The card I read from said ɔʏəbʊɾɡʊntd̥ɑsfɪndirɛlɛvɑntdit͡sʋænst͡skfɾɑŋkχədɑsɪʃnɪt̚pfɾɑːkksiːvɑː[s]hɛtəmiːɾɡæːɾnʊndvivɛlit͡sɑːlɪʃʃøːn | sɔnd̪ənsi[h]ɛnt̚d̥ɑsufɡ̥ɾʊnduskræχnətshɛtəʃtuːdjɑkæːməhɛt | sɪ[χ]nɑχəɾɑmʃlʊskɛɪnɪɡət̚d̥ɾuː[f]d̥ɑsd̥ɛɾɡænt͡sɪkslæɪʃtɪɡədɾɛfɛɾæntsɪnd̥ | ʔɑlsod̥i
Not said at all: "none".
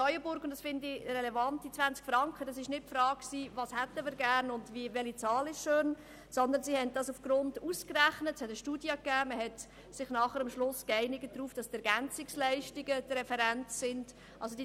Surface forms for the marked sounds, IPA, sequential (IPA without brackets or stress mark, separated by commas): s, h, χ, f